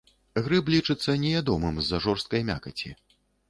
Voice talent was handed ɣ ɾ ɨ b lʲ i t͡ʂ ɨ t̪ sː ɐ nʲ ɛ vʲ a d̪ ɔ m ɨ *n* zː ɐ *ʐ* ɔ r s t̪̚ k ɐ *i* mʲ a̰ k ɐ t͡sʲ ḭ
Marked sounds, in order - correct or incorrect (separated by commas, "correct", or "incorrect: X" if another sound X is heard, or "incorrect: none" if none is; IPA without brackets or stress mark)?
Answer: incorrect: m, correct, incorrect: j